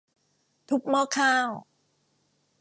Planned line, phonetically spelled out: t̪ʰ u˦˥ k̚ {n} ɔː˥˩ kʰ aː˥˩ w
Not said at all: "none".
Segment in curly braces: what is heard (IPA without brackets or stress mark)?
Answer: m